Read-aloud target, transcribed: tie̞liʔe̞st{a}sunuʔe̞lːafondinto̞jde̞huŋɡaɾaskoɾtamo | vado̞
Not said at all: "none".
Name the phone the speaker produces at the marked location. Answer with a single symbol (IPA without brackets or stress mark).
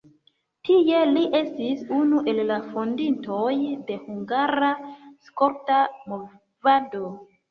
i